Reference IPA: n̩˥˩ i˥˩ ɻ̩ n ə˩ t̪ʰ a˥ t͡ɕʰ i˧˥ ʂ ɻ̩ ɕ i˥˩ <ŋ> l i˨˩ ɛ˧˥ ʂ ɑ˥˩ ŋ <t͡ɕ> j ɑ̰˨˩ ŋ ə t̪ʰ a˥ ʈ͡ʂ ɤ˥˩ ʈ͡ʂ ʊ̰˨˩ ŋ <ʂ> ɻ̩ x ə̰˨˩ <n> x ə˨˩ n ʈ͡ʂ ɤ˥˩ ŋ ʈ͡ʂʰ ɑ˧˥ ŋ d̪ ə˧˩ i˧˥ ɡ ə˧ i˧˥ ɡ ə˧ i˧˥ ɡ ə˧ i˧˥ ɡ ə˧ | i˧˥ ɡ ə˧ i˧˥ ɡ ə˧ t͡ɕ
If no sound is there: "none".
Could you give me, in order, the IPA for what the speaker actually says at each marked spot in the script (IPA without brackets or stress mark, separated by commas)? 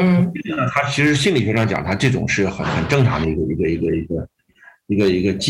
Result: n, t͡ɕ, ʂ, n